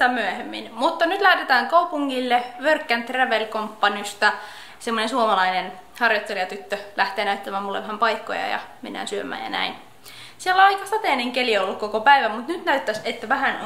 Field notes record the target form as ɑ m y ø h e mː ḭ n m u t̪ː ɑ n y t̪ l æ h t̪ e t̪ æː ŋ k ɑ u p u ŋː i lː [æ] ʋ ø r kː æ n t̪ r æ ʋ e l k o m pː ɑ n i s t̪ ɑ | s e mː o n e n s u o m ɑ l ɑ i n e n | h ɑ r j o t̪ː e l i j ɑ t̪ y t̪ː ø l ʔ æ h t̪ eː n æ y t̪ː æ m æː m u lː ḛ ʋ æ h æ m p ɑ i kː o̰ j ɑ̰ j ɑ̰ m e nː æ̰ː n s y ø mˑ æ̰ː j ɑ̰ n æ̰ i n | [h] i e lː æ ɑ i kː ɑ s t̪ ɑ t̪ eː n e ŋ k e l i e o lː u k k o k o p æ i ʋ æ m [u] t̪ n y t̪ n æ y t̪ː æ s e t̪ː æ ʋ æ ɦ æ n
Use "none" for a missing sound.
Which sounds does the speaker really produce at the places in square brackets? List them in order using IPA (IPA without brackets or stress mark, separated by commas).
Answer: e, s, u